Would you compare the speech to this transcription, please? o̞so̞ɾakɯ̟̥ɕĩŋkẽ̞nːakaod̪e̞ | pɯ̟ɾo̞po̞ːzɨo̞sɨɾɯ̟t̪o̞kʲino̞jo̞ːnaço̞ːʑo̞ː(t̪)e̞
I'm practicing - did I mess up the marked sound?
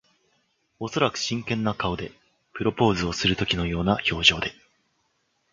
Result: yes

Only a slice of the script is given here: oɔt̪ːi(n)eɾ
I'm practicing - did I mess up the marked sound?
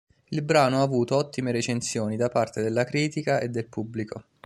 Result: yes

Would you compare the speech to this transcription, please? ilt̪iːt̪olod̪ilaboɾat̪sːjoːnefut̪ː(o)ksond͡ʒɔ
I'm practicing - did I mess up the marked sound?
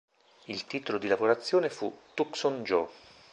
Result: yes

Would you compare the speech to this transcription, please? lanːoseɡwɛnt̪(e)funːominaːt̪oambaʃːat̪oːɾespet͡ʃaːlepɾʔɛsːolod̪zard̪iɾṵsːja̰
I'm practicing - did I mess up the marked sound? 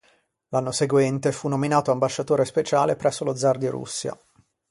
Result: no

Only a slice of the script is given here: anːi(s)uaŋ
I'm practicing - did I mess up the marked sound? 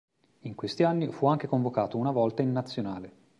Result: yes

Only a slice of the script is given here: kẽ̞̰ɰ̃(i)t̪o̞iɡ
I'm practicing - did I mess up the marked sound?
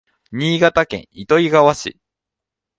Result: no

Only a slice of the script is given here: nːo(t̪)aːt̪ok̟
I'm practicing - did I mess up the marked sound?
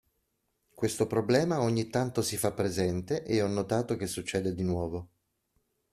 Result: no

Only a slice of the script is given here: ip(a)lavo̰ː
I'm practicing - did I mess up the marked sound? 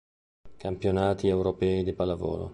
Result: no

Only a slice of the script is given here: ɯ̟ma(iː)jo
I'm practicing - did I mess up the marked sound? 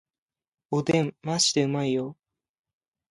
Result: yes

